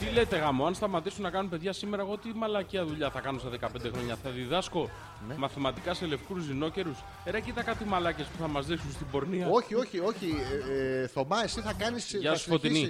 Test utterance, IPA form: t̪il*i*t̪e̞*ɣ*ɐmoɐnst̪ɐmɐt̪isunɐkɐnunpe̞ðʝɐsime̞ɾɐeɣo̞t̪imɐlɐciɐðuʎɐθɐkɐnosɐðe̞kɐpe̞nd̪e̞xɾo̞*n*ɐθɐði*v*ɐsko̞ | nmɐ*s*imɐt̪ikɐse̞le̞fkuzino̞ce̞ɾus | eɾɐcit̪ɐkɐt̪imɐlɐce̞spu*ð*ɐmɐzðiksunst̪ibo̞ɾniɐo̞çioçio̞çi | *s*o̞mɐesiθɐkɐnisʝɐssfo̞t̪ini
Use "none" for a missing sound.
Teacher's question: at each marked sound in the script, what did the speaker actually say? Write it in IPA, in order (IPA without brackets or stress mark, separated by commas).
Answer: e, ɣ, ɲ, ð, θ, θ, θ